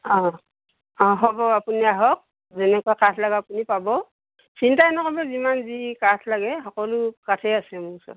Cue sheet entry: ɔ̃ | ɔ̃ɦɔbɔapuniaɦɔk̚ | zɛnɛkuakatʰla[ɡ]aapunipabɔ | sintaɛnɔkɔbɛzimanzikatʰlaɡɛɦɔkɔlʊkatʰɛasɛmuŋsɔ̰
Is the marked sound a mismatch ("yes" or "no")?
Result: no